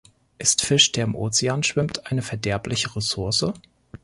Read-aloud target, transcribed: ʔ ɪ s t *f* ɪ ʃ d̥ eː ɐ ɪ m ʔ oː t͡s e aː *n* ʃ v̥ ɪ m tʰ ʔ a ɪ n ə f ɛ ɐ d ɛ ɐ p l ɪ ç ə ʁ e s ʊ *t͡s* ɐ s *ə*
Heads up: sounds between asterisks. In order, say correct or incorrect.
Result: correct, correct, incorrect, correct

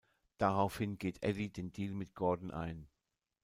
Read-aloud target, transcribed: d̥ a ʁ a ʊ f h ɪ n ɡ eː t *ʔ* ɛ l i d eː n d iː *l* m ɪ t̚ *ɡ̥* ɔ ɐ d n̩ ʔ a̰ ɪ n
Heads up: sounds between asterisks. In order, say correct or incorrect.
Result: correct, correct, correct

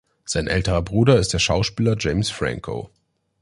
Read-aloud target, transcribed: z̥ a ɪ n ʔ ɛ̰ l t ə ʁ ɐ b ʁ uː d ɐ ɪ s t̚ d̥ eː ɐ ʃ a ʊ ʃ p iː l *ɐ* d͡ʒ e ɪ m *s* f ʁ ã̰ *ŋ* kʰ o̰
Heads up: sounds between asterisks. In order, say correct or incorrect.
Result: correct, correct, correct

